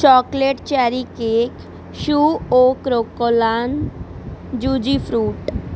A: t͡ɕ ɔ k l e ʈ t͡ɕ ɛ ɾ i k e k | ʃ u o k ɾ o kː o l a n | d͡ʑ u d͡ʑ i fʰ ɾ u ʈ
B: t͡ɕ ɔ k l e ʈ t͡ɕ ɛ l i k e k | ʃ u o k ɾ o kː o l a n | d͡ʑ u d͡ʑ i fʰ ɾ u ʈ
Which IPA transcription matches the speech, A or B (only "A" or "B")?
A